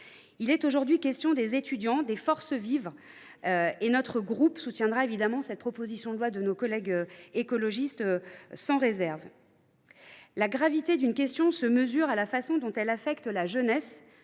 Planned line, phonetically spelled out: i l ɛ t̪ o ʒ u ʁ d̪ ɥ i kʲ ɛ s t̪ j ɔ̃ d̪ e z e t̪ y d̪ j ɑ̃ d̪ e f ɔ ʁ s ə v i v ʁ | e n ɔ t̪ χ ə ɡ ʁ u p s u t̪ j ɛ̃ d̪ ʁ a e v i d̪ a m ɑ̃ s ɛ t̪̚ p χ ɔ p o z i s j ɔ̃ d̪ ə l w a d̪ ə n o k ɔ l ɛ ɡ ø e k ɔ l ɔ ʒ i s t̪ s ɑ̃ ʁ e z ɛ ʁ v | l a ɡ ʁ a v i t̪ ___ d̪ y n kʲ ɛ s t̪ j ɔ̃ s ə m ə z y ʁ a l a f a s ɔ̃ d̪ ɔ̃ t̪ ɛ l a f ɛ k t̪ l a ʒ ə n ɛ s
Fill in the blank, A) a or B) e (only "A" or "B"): B